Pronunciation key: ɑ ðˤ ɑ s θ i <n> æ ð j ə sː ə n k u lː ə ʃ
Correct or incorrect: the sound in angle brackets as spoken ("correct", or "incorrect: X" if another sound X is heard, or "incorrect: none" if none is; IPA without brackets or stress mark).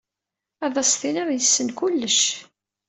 correct